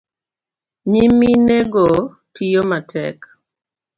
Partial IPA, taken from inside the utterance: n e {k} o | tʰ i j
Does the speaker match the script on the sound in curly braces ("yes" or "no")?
no